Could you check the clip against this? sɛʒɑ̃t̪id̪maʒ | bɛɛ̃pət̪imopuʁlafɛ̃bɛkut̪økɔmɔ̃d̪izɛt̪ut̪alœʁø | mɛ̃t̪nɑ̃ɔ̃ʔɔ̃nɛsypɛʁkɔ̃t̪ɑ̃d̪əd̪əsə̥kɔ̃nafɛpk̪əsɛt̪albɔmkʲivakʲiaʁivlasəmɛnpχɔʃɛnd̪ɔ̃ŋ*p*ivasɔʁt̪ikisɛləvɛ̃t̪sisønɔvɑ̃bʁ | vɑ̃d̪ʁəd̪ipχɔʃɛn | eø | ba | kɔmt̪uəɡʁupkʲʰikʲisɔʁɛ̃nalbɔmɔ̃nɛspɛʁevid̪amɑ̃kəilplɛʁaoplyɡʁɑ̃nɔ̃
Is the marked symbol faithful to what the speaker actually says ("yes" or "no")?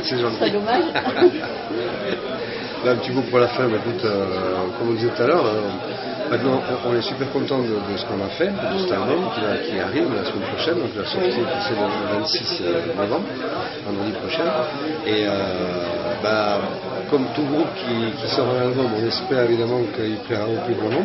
no